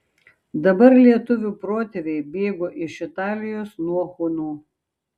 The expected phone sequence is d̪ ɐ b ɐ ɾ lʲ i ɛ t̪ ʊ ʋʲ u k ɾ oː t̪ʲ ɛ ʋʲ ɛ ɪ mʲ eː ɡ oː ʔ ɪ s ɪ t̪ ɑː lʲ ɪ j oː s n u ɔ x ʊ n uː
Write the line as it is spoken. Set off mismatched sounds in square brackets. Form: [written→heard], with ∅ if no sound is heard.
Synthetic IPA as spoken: d̪ ɐ b ɐ ɾ lʲ i ɛ t̪ ʊ ʋʲ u [k→p] ɾ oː t̪ʲ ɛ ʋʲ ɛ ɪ [mʲ→bʲ] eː ɡ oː ʔ ɪ [s→ʃ] ɪ t̪ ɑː lʲ ɪ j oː s n u ɔ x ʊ n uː